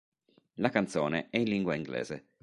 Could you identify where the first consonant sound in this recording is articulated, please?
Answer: alveolar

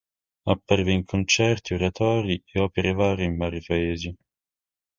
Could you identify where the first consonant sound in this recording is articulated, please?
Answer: labial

